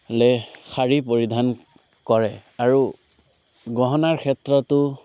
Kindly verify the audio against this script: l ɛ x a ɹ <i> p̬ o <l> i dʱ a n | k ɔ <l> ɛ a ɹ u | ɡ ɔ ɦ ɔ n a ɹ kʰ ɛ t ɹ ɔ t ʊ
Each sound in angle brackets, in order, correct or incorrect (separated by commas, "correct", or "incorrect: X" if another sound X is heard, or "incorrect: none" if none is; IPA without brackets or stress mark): correct, incorrect: ɹ, incorrect: ɹ